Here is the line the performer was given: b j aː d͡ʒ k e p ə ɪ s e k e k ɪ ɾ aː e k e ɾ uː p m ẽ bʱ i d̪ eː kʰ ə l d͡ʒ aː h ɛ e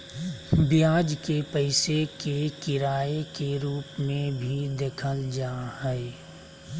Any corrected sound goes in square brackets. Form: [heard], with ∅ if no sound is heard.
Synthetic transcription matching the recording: b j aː d͡ʒ k e p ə ɪ s e k e k ɪ ɾ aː e k e ɾ uː p m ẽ bʱ i d̪ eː kʰ ə l d͡ʒ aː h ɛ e